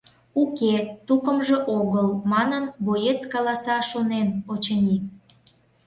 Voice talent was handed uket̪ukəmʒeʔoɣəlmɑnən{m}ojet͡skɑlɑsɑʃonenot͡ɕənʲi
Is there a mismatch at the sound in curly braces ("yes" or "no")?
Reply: yes